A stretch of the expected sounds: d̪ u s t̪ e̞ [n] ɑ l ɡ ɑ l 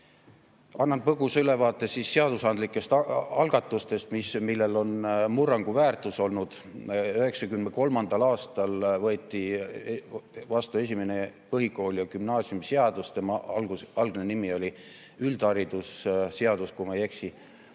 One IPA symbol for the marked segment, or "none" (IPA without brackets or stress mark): m